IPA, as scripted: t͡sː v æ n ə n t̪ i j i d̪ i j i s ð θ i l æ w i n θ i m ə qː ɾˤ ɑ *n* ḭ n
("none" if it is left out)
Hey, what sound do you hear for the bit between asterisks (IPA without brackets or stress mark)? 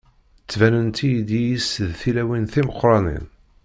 n